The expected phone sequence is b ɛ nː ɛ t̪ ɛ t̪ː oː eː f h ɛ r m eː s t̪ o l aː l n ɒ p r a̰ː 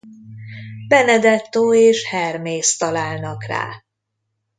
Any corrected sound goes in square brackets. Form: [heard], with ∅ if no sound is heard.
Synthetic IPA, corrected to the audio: b ɛ [n] ɛ [d̪] ɛ t̪ː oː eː [ʃ] h ɛ r m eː s t̪ [ɒ] l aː l n ɒ [k] r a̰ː